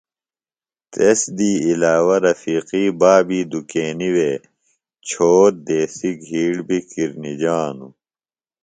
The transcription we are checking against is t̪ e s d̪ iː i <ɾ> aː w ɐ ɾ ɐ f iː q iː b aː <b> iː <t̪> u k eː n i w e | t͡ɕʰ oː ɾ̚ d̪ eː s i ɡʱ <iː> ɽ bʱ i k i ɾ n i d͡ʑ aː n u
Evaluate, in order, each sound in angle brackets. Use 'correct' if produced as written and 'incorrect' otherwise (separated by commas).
incorrect, correct, incorrect, correct